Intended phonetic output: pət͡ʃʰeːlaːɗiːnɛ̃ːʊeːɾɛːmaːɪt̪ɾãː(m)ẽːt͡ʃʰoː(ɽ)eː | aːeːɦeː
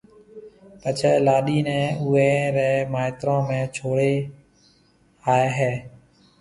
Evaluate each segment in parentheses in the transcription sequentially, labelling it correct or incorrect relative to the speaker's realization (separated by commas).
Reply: correct, correct